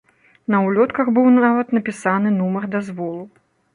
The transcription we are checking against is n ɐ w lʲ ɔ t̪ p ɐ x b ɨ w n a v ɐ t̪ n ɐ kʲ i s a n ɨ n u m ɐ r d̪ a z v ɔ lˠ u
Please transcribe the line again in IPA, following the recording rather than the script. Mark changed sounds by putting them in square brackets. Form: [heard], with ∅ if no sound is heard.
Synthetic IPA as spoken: n ɐ w lʲ ɔ t̪ [k] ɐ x b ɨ w n a v ɐ t̪ n ɐ [pʲ] i s a n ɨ n u m ɐ r d̪ a z v ɔ lˠ u